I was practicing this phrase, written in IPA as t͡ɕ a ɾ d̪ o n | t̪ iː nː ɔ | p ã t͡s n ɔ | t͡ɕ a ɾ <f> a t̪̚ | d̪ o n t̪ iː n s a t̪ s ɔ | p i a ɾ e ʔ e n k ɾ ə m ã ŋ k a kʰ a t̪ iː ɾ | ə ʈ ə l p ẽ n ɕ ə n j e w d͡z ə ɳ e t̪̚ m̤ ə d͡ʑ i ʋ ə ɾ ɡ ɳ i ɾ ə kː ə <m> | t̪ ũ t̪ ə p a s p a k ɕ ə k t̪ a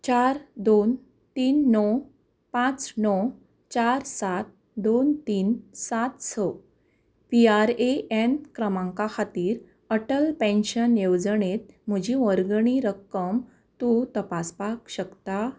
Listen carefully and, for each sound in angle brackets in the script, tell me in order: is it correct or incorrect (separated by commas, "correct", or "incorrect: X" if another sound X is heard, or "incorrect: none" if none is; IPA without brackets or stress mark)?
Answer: incorrect: s, correct